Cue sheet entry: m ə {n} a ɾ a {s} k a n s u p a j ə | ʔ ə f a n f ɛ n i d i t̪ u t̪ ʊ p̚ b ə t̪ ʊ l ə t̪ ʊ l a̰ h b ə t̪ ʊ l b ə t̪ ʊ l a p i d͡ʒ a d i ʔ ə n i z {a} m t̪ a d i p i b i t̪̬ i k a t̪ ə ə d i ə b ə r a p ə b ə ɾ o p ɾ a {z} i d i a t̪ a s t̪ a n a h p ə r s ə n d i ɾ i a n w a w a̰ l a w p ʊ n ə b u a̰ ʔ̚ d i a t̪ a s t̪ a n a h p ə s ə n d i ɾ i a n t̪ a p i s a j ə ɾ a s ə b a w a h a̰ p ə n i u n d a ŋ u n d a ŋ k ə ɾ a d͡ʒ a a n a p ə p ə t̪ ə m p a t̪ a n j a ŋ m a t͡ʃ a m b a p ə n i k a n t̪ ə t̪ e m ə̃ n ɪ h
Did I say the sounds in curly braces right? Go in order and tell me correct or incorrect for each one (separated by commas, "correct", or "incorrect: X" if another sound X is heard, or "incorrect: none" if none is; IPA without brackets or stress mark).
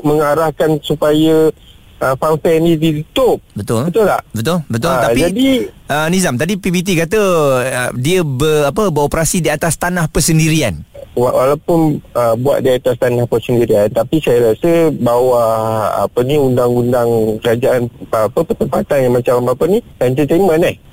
incorrect: ŋ, incorrect: h, correct, incorrect: s